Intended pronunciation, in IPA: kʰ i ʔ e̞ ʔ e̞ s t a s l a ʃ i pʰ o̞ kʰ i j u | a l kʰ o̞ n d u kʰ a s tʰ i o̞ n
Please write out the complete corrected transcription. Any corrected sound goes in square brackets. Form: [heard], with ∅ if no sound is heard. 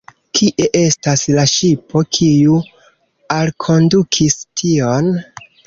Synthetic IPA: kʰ i ʔ e̞ ʔ e̞ s t a s l a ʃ i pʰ o̞ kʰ i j u | a l kʰ o̞ n d u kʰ [i] s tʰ i o̞ n